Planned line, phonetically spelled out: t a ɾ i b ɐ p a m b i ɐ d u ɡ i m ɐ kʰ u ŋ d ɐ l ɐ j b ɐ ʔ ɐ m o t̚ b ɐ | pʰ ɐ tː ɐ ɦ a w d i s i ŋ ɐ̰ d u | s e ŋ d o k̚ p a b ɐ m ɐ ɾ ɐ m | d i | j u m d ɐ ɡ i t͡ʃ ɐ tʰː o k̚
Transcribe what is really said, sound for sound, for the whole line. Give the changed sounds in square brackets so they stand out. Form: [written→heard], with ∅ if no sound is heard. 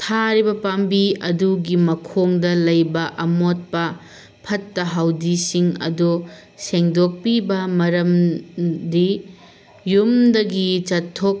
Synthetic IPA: [t→tʰ] a ɾ i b ɐ p a m b i ɐ d u ɡ i m ɐ kʰ [u→o] ŋ d ɐ l ɐ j b ɐ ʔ ɐ m o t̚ [b→p] ɐ | pʰ ɐ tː ɐ ɦ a w d i s i ŋ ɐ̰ d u | s e ŋ d o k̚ p [a→i] b ɐ m ɐ ɾ ɐ m | d i | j u m d ɐ ɡ i t͡ʃ ɐ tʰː o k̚